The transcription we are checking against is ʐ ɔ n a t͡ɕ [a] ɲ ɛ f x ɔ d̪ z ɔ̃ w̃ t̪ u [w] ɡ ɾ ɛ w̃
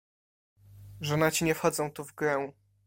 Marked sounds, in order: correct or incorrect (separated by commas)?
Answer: incorrect, incorrect